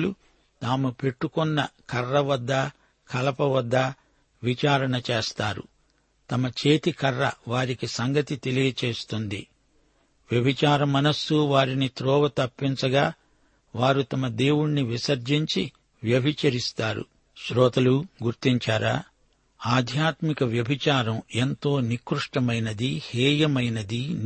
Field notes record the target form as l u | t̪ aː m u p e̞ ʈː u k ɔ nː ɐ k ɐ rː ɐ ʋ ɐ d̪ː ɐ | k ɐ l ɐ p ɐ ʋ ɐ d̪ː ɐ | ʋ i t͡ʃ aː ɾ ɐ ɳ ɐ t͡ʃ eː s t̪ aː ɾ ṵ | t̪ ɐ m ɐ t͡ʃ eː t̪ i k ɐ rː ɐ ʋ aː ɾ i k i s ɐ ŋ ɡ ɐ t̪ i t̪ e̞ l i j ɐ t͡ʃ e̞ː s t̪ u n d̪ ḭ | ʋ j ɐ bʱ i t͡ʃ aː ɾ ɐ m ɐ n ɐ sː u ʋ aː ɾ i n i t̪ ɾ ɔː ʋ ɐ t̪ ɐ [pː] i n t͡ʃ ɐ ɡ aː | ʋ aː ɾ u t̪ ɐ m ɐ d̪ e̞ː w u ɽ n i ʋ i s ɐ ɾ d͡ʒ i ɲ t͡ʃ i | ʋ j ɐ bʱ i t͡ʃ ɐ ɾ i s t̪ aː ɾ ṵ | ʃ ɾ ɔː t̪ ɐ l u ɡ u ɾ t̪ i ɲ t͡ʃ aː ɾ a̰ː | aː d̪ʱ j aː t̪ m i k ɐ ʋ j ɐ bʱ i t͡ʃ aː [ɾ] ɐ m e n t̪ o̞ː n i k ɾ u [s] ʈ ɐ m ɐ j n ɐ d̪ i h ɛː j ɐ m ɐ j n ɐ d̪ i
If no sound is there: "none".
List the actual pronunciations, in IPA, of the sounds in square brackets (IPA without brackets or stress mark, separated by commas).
pː, ɾ, ʂ